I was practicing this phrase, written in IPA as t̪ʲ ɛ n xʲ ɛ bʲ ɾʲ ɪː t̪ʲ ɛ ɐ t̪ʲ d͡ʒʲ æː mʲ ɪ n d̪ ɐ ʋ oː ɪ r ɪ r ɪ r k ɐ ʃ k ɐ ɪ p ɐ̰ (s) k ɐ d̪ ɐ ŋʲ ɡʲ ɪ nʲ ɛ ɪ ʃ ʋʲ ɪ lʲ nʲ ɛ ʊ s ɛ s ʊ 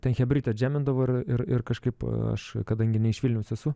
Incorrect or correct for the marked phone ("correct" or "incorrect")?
incorrect